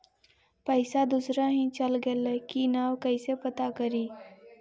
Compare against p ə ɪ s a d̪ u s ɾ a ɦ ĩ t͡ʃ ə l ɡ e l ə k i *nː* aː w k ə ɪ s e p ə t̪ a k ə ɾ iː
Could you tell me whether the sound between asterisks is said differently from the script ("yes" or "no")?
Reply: yes